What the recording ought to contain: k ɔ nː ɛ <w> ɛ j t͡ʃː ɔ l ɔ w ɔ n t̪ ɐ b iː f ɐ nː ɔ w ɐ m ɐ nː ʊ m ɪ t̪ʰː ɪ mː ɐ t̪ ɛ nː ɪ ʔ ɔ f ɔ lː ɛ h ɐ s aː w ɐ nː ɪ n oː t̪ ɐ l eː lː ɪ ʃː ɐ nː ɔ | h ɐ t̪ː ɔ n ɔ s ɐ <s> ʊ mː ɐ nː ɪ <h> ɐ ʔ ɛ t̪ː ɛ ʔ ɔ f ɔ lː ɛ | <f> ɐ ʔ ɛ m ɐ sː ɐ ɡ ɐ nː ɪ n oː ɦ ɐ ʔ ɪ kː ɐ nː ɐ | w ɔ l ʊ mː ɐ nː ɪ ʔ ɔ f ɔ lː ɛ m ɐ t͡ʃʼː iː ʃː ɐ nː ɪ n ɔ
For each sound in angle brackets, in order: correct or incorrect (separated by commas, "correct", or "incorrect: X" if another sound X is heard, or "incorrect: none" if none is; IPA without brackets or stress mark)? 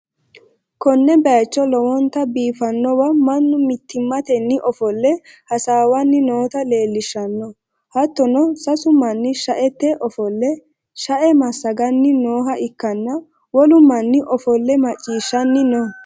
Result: incorrect: b, correct, incorrect: ʃ, incorrect: ʃ